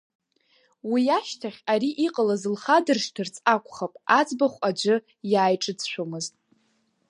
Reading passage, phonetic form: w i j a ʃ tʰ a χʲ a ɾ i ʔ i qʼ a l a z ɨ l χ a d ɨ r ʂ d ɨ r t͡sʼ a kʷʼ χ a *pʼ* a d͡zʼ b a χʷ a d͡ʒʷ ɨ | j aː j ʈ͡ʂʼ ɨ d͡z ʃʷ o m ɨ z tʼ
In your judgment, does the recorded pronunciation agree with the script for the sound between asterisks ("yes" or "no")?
yes